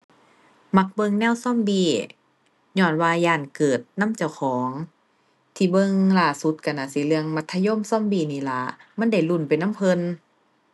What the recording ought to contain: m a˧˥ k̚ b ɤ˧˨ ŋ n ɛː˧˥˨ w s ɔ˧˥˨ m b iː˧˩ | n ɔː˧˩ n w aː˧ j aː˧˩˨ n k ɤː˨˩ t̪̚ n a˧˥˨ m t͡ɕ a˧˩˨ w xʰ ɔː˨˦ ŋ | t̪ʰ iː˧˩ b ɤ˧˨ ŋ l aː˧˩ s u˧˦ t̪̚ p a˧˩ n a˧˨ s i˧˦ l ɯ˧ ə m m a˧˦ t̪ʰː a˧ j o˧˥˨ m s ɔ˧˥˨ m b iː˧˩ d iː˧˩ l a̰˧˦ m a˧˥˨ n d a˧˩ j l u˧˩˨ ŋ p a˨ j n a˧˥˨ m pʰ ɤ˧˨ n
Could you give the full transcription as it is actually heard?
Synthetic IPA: m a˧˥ k̚ b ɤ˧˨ ŋ n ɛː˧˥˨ w s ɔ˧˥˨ m b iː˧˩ | ɲ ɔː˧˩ n w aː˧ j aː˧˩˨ n k ɤː˨˩ t̪̚ n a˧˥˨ m t͡ɕ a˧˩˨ w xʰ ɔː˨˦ ŋ | t̪ʰ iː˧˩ b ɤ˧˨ ŋ l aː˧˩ s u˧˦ t̪̚ k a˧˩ n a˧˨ s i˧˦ l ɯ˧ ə ŋ m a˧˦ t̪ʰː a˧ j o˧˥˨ m s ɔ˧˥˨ m b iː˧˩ n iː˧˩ l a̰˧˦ m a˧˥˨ n d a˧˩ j l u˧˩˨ n p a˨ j n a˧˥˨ m pʰ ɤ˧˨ n